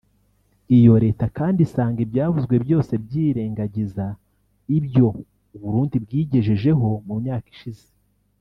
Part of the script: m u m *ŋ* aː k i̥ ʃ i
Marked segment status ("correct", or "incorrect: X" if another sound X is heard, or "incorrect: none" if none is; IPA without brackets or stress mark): incorrect: ɲ